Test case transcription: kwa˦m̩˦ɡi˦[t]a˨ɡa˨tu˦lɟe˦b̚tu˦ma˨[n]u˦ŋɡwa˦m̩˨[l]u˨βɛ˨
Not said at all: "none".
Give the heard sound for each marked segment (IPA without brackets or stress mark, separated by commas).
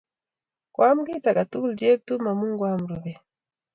t, m, ɾ